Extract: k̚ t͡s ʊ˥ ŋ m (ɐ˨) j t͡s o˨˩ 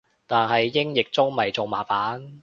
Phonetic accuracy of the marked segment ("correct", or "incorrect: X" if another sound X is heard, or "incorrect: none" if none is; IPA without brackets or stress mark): correct